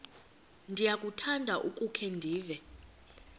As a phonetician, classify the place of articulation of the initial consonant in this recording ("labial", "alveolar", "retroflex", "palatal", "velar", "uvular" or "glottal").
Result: alveolar